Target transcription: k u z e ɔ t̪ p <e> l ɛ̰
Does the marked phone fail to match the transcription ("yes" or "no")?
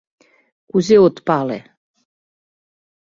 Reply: yes